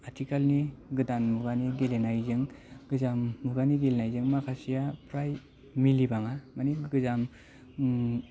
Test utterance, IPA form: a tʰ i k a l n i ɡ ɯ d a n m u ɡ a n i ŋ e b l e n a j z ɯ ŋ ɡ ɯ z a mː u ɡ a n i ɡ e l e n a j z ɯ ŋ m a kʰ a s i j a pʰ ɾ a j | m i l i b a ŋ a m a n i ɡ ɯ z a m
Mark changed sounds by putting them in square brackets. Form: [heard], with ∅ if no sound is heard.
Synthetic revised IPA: a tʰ i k a l n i ɡ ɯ d a n m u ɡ a n i [ɡ] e [∅] l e n a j z ɯ ŋ ɡ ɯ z a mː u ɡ a n i ɡ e l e n a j z ɯ ŋ m a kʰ a s i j a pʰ ɾ a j | m i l i b a ŋ a m a n i ɡ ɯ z a m